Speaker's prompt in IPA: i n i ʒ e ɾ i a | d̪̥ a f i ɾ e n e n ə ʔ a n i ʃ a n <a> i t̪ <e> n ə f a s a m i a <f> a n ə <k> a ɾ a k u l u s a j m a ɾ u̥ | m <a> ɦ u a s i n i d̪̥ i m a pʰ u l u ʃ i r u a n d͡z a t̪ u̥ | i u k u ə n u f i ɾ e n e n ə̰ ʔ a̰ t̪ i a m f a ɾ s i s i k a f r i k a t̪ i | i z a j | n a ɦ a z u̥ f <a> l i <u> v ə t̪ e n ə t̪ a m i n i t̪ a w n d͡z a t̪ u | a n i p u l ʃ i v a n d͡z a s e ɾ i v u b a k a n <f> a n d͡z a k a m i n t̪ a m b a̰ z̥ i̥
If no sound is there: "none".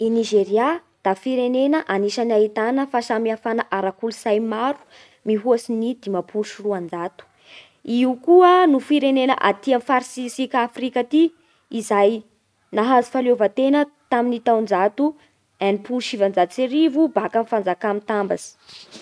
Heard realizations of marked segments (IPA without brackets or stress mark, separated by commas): a, a, f, ʔ, i, a, o, f